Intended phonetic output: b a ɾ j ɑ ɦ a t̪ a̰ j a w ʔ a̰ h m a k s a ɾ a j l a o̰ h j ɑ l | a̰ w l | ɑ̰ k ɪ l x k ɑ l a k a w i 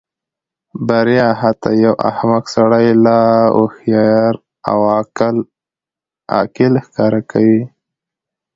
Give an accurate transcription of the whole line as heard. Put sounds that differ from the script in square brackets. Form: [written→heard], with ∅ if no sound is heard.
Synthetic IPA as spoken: b a ɾ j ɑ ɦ a t̪ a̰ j a w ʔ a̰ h m a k s a [ɾ→ɽ] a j l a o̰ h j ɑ [l→ɾ] | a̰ w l | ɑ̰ k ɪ l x k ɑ [l→ɾ] a k a w i

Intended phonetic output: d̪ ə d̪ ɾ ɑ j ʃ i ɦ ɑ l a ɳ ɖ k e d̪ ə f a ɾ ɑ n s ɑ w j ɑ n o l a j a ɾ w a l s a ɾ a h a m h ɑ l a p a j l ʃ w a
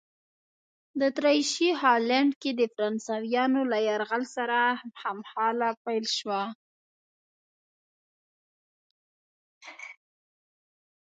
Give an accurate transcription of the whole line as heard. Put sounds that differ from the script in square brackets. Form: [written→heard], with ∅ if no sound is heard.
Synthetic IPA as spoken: d̪ ə [d̪→t̪] ɾ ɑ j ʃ i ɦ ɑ l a ɳ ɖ k e d̪ ə f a ɾ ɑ n s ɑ w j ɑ n o l a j a ɾ [w→ɣ] a l s a ɾ a h a m h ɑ l a p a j l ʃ w a

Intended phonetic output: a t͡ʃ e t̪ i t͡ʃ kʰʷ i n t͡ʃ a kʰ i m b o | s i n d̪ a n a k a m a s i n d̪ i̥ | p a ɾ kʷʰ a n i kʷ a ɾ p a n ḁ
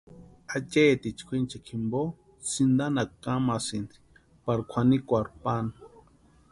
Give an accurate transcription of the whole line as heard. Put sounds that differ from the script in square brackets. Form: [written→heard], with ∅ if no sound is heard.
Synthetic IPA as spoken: a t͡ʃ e t̪ i t͡ʃ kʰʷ i n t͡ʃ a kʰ i m b o | s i n d̪ a n a k a m a s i n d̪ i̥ | p a ɾ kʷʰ a n i kʷ a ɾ p a n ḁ

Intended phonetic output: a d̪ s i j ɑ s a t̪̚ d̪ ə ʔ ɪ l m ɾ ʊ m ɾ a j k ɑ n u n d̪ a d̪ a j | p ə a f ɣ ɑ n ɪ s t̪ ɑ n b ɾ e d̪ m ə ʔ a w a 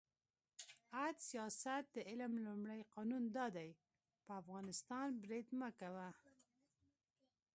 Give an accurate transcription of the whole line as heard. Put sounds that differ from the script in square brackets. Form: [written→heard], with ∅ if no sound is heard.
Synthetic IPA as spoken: a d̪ s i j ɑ s a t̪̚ d̪ ə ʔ ɪ l m [ɾ→l] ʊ m [ɾ→ɽ] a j [k→q] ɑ n u n d̪ [a→ɑ] d̪ a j | p ə a f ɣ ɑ n ɪ s t̪ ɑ n b ɾ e d̪ m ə [ʔ→k] a w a

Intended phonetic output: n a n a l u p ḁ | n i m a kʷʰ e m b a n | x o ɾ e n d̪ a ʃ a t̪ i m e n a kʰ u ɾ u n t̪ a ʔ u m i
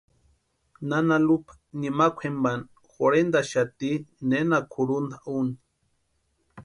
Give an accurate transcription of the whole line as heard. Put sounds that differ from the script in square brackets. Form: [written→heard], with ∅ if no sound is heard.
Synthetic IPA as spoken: n a n a l u p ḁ | n i m a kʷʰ e m b a n | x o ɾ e n d̪ a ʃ a t̪ i [m→n] e n a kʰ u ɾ u n [t̪→d̪] a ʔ u [m→n] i

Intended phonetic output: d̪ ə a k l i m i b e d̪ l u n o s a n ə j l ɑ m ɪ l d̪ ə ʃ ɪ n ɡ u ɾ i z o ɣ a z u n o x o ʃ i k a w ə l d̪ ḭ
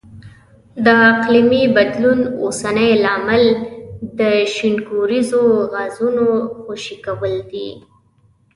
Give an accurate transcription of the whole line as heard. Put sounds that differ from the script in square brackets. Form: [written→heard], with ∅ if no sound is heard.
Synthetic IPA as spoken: d̪ ə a [k→q] l i m i b [e→a] d̪ l u n o s a n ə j l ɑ m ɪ l d̪ ə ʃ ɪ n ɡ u ɾ i z o ɣ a z u n o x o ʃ i k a w ə l d̪ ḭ

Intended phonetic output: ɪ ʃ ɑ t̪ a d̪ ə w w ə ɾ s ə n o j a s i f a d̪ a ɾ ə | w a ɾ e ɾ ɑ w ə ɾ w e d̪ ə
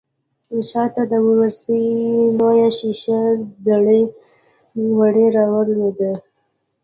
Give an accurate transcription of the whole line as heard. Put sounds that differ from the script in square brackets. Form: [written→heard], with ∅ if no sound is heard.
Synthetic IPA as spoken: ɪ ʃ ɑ t̪ a d̪ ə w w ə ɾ s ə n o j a [s→ʃ] i [f→ʃ] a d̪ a [ɾ→ɽ] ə | w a [ɾ→ɽ] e ɾ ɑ w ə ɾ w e d̪ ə

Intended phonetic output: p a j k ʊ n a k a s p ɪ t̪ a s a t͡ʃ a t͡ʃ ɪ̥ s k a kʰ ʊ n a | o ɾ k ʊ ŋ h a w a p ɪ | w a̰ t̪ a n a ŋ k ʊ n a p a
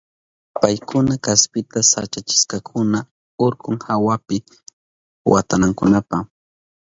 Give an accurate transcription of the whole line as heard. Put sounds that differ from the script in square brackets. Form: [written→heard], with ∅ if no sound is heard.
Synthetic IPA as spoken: p a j k ʊ n a k a s p ɪ t̪ a s a t͡ʃ a t͡ʃ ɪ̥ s k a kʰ ʊ n a | o ɾ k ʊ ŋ h a w a p ɪ | w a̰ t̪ a n a ŋ k ʊ n a p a

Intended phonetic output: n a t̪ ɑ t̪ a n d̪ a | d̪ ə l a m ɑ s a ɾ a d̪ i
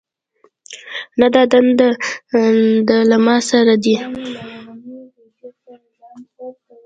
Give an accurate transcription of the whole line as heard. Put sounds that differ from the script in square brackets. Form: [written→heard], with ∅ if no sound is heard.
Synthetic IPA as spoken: n a [t̪→d̪] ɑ [t̪→d̪] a n d̪ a | d̪ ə l a m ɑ s a ɾ a d̪ i

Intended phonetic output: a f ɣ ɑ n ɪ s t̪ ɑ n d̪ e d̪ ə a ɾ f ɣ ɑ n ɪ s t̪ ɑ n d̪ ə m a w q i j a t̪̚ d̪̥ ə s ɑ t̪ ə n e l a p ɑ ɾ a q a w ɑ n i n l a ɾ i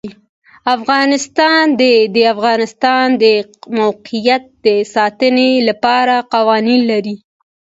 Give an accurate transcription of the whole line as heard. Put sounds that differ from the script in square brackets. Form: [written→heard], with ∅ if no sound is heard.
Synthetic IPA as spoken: a f ɣ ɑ n ɪ s t̪ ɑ n d̪ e d̪ ə a [ɾ→∅] f ɣ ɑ n ɪ s t̪ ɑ n d̪ ə m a w q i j a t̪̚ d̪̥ ə s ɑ t̪ ə n e l a p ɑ ɾ a q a w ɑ n i n l a ɾ i

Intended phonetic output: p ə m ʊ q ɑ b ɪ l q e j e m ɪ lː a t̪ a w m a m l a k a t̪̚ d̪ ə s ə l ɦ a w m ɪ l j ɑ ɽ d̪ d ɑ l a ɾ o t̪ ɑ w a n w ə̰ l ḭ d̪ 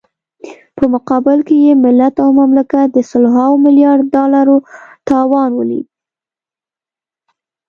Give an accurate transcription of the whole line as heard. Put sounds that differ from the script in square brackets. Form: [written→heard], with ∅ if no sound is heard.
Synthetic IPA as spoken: p ə m ʊ q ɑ b ɪ l [q→k] e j e m ɪ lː a t̪ a w m a m l a k a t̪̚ d̪ ə s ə l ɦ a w m ɪ l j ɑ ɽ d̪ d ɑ l a ɾ o t̪ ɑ w [a→ɑ] n w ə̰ l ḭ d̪

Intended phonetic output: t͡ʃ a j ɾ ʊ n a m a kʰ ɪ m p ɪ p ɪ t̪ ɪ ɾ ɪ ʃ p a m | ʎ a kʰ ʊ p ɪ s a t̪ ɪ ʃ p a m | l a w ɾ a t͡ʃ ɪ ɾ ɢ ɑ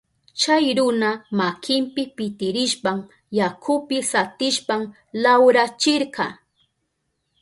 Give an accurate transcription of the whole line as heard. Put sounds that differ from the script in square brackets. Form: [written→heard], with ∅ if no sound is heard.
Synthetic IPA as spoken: t͡ʃ a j ɾ ʊ n a m a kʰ ɪ m p ɪ p ɪ t̪ ɪ ɾ ɪ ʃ p a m | [ʎ→j] a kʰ ʊ p ɪ s a t̪ ɪ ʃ p a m | l a w ɾ a t͡ʃ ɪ ɾ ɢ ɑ

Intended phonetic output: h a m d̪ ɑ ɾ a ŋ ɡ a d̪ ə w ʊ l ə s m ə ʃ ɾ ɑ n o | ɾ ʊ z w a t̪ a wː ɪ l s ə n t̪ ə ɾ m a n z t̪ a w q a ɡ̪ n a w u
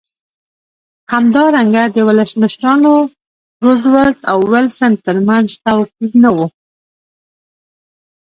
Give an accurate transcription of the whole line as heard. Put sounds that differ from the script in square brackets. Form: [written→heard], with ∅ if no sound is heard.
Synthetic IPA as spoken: h a m d̪ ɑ ɾ a ŋ ɡ a d̪ ə w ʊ l ə s m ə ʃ ɾ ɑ n o | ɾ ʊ z w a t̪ a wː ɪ l s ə n t̪ ə ɾ m a n z t̪ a w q [a→i] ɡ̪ n a w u

